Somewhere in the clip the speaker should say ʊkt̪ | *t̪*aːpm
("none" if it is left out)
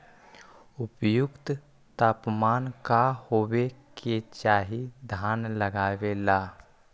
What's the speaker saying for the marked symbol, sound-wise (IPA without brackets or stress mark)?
t̪